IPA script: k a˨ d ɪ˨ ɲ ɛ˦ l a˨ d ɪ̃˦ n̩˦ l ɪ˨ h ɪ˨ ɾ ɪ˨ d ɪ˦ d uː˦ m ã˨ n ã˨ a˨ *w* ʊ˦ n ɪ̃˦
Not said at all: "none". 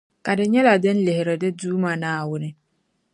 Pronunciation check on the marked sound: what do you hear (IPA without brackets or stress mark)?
w